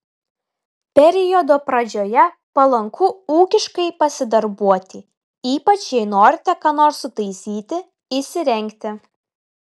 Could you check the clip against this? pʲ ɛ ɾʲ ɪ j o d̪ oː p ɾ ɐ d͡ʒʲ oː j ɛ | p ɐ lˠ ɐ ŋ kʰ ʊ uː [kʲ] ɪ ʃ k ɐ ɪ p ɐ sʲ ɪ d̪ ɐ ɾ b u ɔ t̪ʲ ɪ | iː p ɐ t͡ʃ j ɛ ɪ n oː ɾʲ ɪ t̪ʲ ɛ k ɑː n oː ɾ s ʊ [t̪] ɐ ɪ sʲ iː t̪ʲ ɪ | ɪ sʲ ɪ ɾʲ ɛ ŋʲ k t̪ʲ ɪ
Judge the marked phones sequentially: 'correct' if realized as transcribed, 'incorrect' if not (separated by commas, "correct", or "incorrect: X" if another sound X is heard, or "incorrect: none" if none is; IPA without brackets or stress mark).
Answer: correct, correct